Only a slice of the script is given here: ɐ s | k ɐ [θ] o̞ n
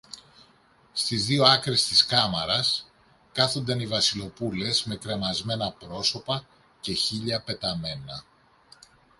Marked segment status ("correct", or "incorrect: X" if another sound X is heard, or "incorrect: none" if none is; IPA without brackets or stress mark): correct